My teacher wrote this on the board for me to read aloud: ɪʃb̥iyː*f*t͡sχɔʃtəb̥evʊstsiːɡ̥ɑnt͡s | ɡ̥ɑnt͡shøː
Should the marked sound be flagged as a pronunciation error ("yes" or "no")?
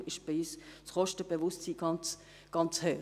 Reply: yes